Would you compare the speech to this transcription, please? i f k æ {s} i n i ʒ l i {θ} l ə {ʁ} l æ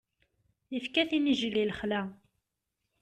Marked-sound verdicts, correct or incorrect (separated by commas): incorrect, incorrect, incorrect